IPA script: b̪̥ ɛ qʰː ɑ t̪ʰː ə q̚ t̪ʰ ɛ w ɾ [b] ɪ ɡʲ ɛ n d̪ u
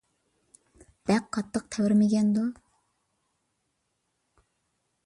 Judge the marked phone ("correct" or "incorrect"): incorrect